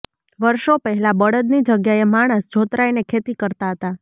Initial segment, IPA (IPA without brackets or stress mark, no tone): ʋ